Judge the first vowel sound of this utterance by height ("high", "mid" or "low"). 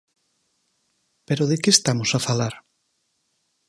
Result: mid